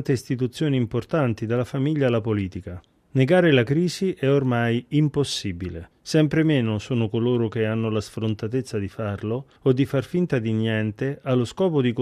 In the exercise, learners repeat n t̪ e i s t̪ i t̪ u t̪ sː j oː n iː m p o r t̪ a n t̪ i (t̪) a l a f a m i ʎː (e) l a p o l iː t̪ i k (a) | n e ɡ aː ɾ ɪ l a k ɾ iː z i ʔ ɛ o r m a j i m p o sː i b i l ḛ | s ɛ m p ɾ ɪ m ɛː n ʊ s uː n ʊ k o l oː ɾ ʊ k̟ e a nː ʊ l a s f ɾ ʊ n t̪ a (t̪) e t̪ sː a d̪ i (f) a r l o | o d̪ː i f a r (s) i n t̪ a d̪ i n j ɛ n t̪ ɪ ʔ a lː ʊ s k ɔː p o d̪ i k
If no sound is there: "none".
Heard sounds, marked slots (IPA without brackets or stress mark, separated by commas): d̪, a, a, t̪, f, f